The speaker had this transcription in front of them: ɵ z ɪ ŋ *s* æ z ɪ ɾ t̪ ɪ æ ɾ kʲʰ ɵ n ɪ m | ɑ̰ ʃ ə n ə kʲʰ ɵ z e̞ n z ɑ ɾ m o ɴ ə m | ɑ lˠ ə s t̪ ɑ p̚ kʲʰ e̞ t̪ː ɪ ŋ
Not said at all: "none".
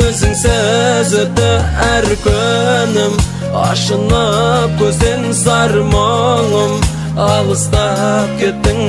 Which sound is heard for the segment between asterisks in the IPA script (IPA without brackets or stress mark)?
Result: s